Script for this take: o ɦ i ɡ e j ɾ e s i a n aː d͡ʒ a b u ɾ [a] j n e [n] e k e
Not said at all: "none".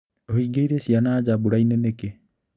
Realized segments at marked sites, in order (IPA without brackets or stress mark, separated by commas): a, n